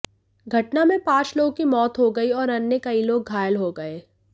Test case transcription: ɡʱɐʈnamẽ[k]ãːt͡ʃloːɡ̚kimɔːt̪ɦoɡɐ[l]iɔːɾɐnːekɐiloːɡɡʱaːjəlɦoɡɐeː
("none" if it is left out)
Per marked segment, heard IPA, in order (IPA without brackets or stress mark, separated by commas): p, none